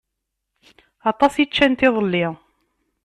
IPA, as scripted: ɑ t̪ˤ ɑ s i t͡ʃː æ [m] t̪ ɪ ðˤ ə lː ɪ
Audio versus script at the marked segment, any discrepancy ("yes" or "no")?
yes